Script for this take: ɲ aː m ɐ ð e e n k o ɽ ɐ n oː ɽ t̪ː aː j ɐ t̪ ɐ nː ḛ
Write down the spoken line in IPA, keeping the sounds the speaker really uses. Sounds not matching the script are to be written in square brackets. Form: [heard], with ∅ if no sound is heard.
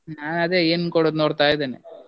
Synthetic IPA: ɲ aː [n] ɐ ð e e n k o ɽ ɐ n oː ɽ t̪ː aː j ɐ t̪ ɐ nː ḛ